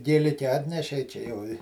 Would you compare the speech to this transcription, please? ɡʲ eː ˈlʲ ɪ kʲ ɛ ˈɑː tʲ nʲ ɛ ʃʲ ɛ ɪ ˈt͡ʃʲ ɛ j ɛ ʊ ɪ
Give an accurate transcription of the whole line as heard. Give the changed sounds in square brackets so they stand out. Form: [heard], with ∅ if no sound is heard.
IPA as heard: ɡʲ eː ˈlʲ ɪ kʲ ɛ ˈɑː tʲ nʲ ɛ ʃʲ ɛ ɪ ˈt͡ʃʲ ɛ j ɛ ʊ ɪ